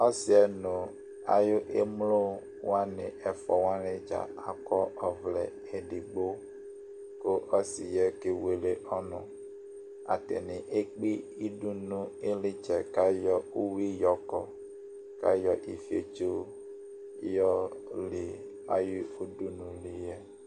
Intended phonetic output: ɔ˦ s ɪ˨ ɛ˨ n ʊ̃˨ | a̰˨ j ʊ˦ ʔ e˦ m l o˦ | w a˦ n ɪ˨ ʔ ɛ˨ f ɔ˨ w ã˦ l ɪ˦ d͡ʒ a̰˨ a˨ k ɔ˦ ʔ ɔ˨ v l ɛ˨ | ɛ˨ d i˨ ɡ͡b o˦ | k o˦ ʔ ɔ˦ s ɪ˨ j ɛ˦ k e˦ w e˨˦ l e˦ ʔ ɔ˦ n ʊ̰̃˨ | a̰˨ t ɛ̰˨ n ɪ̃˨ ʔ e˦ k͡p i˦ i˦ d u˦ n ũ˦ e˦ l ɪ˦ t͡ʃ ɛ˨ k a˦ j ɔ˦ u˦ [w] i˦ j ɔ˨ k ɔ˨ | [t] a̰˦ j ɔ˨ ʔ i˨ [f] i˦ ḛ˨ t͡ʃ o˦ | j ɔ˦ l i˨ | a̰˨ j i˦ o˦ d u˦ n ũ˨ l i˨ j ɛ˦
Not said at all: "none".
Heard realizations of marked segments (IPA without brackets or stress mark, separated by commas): w, k, f